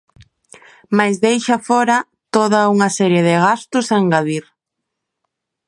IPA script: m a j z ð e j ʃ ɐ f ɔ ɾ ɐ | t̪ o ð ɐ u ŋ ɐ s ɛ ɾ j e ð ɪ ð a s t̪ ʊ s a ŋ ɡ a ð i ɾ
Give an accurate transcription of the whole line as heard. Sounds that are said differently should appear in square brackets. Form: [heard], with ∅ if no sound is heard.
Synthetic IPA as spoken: m a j z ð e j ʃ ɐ f ɔ ɾ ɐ | t̪ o ð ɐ u ŋ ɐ s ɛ ɾ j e ð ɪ [ɣ] a s t̪ ʊ s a ŋ ɡ a ð i ɾ